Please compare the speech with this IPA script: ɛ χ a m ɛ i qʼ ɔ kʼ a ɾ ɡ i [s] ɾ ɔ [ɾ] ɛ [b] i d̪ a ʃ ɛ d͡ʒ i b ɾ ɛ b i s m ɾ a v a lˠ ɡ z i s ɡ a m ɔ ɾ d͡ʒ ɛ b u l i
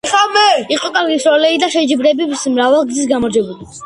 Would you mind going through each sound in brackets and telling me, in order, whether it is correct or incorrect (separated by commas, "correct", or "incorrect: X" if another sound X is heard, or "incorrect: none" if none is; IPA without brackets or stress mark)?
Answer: correct, incorrect: l, incorrect: none